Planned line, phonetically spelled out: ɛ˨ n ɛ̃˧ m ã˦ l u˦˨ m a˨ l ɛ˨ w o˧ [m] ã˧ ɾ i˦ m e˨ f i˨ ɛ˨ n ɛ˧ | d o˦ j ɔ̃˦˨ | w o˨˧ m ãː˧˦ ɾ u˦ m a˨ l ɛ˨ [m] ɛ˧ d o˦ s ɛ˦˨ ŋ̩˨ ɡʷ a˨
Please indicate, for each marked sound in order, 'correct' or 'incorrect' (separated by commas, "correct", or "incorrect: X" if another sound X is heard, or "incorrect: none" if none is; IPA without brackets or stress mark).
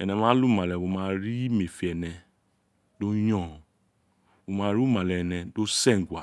correct, incorrect: n